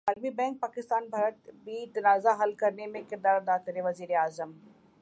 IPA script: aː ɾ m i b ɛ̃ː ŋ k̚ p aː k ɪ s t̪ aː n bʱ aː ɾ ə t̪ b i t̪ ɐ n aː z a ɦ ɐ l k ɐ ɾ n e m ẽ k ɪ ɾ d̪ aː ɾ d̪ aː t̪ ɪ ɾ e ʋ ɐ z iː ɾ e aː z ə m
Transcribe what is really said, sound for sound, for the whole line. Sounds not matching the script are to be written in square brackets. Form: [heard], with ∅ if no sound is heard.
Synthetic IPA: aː ɾ m i b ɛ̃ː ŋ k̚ p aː k ɪ s t̪ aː n bʱ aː ɾ ə t̪ b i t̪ ɐ n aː z a ɦ ɐ l k ɐ ɾ n e m ẽ k ɪ ɾ d̪ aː ɾ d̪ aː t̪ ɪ ɾ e ʋ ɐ z iː ɾ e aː z ə m